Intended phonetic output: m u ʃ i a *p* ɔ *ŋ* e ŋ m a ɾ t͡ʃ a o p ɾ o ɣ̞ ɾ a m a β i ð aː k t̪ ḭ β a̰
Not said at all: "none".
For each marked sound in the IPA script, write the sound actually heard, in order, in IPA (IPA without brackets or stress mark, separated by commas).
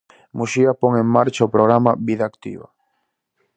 p, ŋ